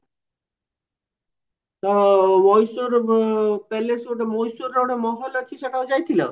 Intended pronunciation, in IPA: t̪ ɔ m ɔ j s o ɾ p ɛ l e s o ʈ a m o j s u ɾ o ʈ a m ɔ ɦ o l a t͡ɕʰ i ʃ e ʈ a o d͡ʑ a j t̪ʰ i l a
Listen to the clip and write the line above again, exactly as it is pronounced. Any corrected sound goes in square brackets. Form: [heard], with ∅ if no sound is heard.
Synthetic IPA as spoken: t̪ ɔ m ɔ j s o ɾ p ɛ l e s o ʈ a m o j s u ɾ o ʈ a m ɔ ɦ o l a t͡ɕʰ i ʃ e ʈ a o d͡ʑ a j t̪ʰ i l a